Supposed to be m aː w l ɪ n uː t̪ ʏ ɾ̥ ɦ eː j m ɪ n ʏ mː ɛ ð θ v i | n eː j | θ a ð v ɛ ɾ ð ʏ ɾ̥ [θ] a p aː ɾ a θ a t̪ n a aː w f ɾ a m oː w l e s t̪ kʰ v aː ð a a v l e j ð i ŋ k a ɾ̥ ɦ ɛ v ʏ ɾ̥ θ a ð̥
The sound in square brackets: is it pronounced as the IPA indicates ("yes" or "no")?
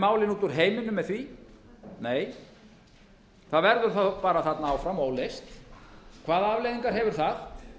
yes